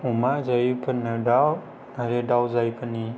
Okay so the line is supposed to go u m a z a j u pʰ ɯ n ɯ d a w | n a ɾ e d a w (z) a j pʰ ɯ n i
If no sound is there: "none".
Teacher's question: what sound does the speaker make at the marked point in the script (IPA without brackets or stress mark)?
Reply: z